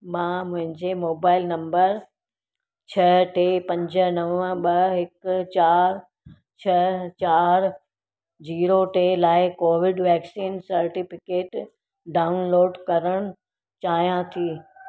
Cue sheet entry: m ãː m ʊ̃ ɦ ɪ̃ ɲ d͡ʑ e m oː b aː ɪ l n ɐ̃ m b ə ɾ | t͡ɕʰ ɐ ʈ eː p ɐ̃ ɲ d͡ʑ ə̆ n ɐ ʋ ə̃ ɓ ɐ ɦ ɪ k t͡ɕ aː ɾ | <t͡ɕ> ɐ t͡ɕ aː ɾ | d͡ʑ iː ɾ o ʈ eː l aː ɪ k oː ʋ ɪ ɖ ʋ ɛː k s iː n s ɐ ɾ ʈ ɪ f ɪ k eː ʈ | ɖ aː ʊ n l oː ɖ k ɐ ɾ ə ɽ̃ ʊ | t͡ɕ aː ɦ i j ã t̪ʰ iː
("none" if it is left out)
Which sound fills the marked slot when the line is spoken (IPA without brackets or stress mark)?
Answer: t͡ɕʰ